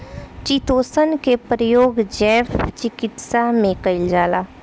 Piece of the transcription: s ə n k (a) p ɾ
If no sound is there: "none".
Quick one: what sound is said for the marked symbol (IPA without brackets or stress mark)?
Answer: e